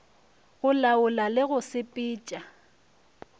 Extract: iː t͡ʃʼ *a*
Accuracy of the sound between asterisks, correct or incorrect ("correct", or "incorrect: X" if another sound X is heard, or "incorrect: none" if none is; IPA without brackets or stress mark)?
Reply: correct